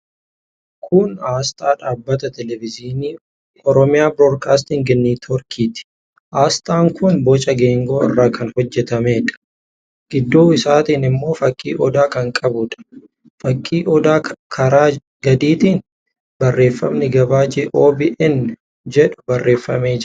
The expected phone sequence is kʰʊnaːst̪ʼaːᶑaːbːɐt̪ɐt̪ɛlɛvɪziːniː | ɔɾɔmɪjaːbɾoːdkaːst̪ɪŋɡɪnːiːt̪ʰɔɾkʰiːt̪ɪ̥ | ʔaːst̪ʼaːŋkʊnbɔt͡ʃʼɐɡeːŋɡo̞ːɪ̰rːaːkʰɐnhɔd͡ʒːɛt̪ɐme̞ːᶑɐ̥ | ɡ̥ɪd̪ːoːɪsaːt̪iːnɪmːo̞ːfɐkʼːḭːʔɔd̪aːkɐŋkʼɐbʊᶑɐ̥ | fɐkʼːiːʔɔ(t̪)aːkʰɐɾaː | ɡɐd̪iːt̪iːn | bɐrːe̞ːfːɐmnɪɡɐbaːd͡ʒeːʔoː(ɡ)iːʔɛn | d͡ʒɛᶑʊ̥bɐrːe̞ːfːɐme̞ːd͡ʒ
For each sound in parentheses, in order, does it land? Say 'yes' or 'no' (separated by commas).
no, no